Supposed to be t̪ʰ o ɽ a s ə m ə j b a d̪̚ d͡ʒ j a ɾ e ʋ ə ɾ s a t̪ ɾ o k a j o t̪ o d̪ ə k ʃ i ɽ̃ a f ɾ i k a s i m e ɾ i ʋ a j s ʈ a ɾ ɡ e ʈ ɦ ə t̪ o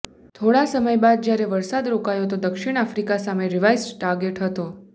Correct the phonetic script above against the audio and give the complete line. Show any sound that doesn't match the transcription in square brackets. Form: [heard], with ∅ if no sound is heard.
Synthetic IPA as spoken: t̪ʰ o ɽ a s ə m ə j b a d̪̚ d͡ʒ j a ɾ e ʋ ə ɾ s a [d̪] ɾ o k a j o t̪ o d̪ ə k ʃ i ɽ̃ a f ɾ i k a s [a] m e ɾ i ʋ a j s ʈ a ɾ ɡ e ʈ ɦ ə t̪ o